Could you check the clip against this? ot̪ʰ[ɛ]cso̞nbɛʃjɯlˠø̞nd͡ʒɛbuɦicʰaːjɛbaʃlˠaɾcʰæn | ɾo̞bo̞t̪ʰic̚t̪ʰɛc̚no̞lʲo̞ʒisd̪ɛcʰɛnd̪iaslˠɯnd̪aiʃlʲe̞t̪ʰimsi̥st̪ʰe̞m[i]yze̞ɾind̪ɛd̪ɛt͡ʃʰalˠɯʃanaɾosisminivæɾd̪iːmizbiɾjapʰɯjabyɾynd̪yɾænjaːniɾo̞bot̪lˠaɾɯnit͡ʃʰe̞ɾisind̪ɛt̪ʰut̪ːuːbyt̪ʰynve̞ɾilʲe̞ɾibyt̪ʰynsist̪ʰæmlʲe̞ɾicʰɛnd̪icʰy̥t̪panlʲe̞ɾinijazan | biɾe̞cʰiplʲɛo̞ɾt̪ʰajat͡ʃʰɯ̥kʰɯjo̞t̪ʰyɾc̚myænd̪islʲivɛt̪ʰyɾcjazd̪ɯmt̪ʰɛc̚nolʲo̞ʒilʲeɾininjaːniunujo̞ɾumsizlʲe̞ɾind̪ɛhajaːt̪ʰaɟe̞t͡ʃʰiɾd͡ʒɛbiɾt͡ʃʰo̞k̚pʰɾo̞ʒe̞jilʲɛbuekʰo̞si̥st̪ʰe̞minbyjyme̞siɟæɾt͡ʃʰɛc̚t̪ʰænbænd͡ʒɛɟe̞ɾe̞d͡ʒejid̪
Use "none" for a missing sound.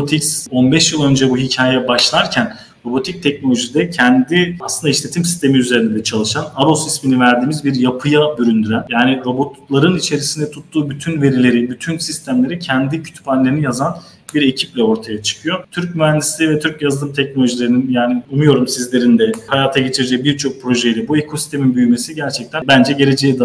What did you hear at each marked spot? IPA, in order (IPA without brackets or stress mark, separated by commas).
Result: i, i